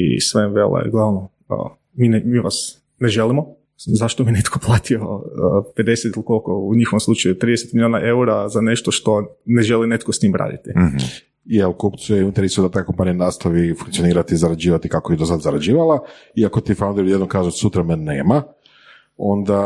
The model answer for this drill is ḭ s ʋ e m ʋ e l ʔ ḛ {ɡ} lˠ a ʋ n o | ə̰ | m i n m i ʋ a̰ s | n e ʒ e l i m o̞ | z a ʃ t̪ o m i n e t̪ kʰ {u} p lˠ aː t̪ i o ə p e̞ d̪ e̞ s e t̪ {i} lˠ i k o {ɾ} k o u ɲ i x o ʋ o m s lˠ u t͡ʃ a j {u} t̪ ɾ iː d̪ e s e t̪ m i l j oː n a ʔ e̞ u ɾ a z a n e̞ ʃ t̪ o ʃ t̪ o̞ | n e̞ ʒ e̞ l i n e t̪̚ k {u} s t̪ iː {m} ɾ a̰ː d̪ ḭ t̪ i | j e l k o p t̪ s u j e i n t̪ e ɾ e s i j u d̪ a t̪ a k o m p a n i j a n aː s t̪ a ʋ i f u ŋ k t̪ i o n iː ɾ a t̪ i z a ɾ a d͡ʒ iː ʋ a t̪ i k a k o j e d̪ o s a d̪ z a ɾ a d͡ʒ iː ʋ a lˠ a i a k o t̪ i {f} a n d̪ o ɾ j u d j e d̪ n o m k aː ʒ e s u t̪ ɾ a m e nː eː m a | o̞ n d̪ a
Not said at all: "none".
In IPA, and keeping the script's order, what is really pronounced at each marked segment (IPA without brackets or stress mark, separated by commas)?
ɡ, o, i, l, u, o, m, f